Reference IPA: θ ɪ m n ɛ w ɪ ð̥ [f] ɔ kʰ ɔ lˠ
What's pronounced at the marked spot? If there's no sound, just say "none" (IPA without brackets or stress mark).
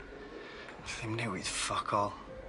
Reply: f